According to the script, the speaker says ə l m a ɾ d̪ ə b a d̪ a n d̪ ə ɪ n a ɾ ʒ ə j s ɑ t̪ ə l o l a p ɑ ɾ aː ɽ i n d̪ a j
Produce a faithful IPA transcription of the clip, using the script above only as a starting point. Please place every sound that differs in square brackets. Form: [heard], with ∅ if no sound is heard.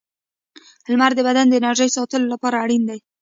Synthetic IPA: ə l m a ɾ d̪ ə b a d̪ a n d̪ ə ɪ n a ɾ ʒ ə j s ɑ t̪ ə l o l a p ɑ ɾ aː ɽ i n d̪ a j